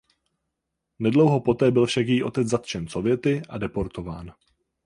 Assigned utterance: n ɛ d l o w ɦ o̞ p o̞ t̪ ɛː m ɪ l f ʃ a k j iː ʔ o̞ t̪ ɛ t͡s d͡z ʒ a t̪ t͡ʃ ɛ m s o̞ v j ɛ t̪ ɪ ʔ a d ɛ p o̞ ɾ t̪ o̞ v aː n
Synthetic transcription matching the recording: n ɛ d l o w ɦ o̞ p o̞ t̪ ɛː b ɪ l f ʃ a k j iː ʔ o̞ t̪ ɛ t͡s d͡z z a t̪ t͡ʃ ɛ n s o̞ v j ɛ t̪ ɪ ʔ a d ɛ p o̞ ɾ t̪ o̞ v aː n